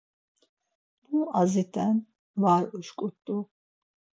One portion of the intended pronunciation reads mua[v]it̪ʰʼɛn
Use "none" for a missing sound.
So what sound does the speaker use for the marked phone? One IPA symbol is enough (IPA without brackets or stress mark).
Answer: z